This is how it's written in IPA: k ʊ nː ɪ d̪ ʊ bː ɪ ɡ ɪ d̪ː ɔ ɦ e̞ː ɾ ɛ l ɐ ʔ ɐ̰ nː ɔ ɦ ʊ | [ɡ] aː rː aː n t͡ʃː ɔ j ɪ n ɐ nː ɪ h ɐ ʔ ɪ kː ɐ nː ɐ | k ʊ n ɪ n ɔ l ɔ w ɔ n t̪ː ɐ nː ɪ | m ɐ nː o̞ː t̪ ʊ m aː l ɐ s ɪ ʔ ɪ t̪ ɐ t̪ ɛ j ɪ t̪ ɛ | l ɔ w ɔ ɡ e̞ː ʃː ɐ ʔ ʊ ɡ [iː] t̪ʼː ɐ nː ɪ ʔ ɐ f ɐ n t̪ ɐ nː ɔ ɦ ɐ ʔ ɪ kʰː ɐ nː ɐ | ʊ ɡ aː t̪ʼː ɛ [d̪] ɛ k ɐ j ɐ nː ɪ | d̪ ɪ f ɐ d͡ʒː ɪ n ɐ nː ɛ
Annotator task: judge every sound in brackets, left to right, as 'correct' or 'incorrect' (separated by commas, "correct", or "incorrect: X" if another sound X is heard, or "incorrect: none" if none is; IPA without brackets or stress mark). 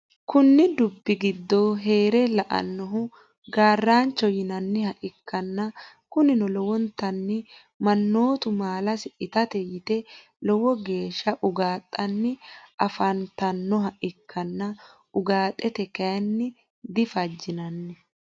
correct, incorrect: aː, incorrect: t̪